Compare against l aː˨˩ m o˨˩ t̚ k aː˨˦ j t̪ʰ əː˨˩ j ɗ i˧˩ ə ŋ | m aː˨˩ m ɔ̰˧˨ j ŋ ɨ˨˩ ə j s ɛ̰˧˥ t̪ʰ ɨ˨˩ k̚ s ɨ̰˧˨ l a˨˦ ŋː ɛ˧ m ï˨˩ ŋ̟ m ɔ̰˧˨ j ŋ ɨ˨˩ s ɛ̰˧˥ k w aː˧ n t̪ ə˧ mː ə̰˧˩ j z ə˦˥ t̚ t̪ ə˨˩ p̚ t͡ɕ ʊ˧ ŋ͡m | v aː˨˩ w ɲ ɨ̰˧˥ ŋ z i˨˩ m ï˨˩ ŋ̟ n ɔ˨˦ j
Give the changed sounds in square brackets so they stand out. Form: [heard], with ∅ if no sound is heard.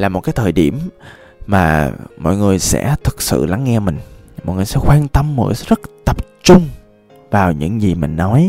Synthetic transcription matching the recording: l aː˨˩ m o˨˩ t̚ k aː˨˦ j t̪ʰ əː˨˩ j ɗ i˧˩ ə [m] | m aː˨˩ m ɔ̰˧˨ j ŋ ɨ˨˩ ə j s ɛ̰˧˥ t̪ʰ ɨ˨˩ k̚ s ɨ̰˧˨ l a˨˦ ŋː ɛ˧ m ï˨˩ ŋ̟ m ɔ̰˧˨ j ŋ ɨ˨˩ s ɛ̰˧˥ [x] w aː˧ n t̪ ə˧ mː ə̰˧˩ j z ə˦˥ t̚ t̪ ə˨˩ p̚ t͡ɕ ʊ˧ ŋ͡m | v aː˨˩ w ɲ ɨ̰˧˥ ŋ z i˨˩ m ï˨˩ ŋ̟ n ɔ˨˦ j